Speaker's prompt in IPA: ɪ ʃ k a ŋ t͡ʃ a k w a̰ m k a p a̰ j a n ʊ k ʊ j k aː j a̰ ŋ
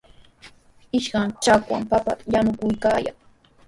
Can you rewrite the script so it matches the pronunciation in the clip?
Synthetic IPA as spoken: ɪ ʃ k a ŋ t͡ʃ a k w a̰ m p a p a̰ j a n ʊ k ʊ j k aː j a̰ ŋ